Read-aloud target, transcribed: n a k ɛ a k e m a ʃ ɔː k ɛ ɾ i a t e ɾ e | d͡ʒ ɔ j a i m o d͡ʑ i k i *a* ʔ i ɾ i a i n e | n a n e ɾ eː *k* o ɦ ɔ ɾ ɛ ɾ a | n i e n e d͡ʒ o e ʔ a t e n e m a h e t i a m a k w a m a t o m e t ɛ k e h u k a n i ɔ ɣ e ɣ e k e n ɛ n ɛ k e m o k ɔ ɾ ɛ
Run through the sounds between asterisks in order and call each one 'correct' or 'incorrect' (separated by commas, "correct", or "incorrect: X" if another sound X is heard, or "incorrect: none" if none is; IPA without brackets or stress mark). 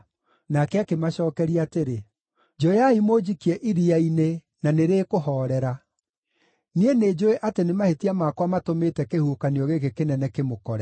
incorrect: ɛ, correct